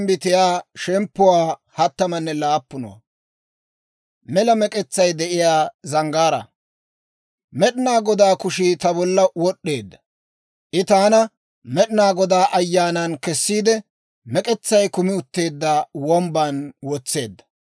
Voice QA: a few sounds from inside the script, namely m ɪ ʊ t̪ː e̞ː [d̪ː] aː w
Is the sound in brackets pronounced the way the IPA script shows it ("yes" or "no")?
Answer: yes